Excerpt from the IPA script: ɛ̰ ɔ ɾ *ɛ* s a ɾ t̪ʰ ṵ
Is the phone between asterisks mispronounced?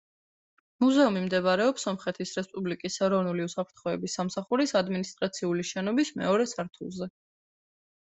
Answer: no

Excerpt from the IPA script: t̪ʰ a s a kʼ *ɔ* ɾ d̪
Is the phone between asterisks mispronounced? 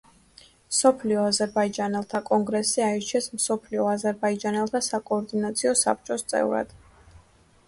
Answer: yes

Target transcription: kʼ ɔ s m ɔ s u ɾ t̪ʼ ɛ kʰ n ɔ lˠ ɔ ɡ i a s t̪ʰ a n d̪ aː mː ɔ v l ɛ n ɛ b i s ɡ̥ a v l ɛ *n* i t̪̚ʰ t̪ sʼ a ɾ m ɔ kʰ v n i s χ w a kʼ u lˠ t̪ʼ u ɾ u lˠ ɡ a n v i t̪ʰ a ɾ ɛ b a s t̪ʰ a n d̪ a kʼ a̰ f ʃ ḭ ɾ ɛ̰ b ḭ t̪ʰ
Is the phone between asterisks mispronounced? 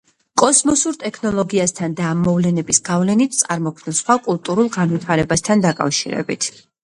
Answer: no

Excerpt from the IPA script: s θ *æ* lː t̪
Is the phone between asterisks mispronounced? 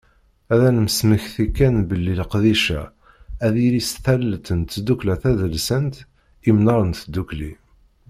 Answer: no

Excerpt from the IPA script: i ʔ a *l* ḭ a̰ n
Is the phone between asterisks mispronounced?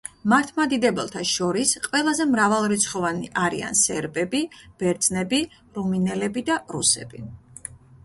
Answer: yes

